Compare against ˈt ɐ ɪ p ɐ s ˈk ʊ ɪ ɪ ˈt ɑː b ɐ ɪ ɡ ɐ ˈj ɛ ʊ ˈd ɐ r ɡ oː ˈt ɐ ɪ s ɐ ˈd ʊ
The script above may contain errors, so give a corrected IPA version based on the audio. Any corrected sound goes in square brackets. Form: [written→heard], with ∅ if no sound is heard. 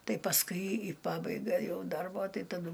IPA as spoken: ˈt ɐ ɪ p ɐ s ˈk ʊ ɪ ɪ [ˈt→ˈp] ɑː b ɐ ɪ ɡ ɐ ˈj ɛ ʊ ˈd ɐ r [ɡ→b] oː ˈt ɐ ɪ [s→t] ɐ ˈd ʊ